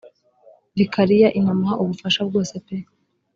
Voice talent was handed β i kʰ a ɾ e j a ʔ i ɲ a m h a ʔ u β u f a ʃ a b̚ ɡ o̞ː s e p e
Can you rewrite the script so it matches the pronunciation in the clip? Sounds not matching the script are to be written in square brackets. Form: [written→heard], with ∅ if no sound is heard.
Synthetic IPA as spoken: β i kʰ a ɾ [e→i] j a ʔ i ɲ a m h a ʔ u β u f a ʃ a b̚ ɡ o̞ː s e p e